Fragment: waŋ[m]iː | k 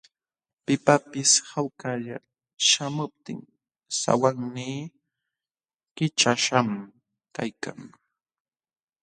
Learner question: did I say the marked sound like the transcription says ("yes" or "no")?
no